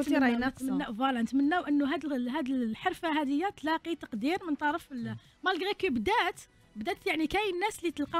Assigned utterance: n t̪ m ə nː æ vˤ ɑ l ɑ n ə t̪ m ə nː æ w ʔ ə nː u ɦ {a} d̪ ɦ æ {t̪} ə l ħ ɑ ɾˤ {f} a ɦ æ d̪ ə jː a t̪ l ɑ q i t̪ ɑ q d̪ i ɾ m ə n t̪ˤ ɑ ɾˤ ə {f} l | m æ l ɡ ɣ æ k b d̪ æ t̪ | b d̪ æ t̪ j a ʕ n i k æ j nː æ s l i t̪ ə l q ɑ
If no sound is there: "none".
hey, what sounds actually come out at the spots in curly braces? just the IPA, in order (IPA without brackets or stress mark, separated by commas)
æ, d̪, f, f